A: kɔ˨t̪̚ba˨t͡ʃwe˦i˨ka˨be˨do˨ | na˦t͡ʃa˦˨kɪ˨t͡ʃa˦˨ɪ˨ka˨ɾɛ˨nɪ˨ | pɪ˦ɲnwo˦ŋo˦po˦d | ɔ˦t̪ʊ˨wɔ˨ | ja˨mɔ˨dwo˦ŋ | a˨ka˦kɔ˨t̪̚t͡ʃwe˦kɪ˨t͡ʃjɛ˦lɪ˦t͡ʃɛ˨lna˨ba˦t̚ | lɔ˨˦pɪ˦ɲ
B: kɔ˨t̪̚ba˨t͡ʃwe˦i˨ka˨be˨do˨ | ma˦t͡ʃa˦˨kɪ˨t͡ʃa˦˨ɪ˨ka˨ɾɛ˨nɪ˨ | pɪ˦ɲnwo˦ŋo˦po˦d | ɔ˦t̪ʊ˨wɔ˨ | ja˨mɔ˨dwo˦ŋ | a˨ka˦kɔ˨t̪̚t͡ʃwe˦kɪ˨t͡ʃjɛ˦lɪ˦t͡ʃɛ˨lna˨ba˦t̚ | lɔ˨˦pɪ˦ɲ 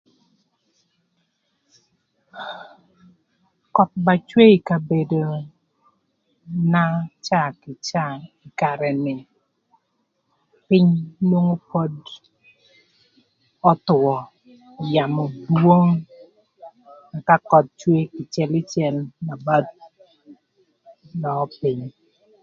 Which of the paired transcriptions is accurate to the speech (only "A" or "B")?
A